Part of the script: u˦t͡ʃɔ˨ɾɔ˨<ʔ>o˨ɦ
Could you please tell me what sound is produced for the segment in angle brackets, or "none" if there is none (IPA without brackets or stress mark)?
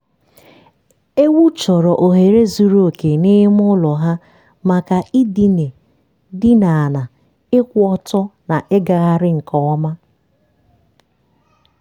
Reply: ʔ